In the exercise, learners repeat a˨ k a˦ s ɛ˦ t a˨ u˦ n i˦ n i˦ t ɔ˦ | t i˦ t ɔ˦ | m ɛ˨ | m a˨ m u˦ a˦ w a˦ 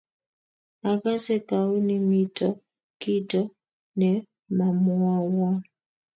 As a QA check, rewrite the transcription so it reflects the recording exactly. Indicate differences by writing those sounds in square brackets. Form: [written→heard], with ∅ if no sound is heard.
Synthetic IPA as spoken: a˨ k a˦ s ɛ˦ [t→k] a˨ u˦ n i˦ [n→m] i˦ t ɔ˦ | [t→k] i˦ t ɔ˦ | [m→n] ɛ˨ | m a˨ m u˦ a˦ w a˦